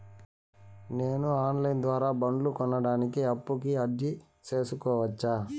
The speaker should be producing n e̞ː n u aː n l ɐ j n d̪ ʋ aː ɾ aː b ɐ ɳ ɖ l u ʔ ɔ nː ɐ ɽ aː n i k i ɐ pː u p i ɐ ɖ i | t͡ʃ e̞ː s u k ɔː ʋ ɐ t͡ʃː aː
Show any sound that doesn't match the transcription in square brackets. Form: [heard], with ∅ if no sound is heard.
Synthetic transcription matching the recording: n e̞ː n u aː n l ɐ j n d̪ ʋ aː ɾ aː b ɐ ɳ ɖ l u [k] ɔ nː ɐ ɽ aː n i k i ɐ pː u [k] i ɐ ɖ i | t͡ʃ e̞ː s u k ɔː ʋ ɐ t͡ʃː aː